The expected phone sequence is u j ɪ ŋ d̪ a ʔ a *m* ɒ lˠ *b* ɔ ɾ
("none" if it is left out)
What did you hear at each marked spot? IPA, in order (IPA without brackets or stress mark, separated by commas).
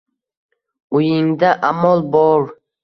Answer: m, b